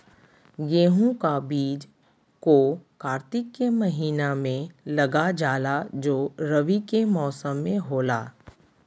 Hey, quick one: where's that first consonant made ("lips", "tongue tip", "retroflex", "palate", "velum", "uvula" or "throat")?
velum